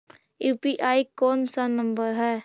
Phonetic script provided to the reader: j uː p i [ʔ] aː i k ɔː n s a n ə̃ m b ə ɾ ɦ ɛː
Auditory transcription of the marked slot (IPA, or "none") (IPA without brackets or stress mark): ʔ